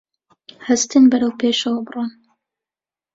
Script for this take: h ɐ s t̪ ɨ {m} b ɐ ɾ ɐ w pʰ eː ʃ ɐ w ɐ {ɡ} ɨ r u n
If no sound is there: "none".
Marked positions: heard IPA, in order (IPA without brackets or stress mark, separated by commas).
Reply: n, b